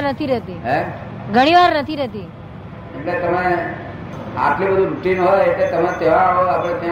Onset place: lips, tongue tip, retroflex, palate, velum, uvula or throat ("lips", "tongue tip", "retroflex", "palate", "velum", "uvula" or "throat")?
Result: tongue tip